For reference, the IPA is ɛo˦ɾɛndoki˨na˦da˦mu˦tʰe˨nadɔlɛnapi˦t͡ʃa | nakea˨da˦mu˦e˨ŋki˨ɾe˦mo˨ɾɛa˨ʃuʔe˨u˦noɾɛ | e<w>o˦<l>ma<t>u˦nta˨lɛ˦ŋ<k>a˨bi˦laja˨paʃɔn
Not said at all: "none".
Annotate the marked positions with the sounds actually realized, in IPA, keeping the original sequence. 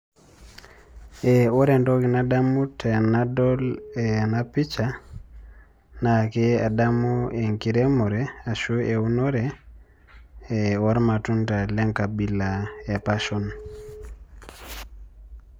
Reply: w, ɾ, t, k

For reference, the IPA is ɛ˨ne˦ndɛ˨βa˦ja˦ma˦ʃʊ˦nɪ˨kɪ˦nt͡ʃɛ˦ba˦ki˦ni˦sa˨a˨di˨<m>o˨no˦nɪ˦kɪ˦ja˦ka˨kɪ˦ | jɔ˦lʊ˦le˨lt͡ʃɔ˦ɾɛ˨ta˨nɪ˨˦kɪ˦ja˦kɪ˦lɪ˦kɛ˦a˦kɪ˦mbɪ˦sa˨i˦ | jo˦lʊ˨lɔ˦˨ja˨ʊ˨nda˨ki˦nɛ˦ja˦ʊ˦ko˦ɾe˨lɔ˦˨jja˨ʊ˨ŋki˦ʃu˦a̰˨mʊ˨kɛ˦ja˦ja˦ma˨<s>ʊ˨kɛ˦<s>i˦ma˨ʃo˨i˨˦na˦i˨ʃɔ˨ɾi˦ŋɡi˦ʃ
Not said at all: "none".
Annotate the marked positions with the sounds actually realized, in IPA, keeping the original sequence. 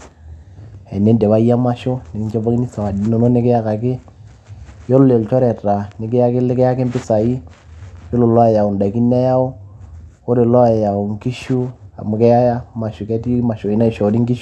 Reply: n, ʃ, t

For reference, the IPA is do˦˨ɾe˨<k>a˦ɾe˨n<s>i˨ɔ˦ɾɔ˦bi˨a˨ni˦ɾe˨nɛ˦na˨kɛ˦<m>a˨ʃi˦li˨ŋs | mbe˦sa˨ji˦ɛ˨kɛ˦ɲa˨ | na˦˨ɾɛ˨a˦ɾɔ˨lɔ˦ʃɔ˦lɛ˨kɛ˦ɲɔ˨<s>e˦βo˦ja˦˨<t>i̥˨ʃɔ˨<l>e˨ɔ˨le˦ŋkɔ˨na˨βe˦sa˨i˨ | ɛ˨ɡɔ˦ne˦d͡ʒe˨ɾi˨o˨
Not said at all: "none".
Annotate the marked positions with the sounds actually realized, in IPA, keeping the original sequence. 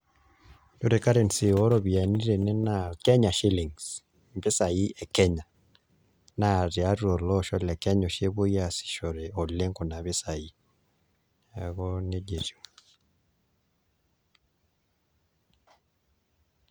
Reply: k, s, ɲ, ʃ, s, ɾ

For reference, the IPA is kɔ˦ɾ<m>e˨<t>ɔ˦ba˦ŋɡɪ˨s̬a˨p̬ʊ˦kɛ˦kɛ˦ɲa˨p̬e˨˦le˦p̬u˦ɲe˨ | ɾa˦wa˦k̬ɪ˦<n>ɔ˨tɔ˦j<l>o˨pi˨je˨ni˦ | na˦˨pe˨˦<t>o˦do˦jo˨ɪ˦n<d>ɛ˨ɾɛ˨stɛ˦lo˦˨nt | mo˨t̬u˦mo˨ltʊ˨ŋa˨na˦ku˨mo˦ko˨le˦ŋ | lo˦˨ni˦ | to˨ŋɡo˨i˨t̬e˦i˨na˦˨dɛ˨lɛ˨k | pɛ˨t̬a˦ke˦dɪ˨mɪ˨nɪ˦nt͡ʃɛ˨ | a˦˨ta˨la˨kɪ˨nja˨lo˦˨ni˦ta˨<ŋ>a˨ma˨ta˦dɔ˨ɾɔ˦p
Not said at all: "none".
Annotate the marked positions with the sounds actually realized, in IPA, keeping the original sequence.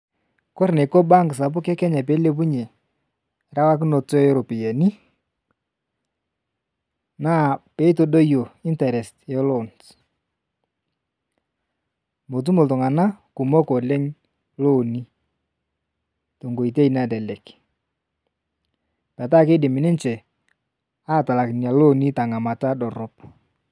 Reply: n, k, n, ɾ, t, t, ŋ

